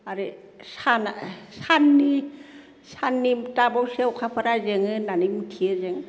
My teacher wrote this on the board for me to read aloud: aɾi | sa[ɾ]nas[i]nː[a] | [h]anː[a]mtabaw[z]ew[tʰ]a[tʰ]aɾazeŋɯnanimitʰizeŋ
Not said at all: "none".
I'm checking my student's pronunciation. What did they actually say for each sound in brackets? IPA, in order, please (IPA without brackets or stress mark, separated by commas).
none, a, i, s, i, s, kʰ, pʰ